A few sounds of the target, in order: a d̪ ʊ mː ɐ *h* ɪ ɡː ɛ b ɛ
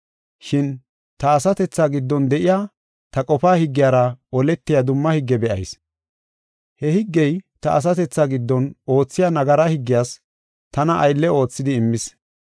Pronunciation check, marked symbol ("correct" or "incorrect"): correct